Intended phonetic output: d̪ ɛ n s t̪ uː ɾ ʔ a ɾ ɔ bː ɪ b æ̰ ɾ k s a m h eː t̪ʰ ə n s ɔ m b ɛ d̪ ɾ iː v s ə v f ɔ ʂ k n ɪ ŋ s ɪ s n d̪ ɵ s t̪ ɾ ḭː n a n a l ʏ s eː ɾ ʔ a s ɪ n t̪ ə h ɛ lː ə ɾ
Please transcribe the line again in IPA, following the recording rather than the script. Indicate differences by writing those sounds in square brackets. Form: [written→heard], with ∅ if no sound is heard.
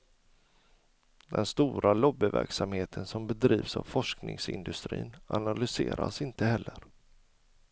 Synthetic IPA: d̪ ɛ n s t̪ uː ɾ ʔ a [ɾ→l] ɔ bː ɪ [b→v] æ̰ ɾ k s a m h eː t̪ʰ ə n s ɔ m b ɛ d̪ ɾ iː v s [ə→a] v f ɔ ʂ k n ɪ ŋ s ɪ [s→∅] n d̪ ɵ s t̪ ɾ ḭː n a n a l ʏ s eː ɾ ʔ a s ɪ n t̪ ə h ɛ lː ə ɾ